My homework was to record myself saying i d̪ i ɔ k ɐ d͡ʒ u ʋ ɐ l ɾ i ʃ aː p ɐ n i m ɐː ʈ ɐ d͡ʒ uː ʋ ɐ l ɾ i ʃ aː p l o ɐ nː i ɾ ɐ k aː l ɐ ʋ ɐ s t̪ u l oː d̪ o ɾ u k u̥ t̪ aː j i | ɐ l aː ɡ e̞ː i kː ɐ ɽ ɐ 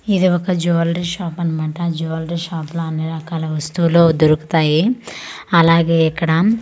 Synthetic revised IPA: i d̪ i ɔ k ɐ d͡ʒ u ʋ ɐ l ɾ i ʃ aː p ɐ n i m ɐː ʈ ɐ d͡ʒ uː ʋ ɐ l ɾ i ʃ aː p l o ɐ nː i ɾ ɐ k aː l ɐ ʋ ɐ s t̪ u l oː d̪ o ɾ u k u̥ t̪ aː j i | ɐ l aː ɡ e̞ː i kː ɐ ɽ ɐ